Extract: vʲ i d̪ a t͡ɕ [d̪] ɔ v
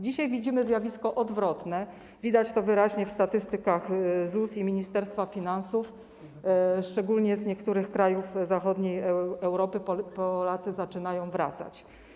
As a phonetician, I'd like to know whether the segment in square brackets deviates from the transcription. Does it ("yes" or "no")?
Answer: yes